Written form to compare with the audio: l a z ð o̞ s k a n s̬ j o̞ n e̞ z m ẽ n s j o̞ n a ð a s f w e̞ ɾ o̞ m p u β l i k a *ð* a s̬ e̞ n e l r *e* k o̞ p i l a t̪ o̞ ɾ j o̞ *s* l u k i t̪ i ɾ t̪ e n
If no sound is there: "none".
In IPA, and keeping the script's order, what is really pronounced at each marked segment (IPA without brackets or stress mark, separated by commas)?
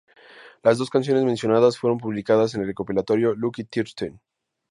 ð, e, none